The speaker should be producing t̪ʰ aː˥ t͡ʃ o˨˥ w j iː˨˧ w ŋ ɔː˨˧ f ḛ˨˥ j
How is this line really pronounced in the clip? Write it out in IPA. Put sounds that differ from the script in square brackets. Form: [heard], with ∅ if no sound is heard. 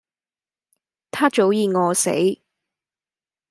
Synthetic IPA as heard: t̪ʰ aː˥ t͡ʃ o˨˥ w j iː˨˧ [∅] ŋ ɔː˨˧ [s] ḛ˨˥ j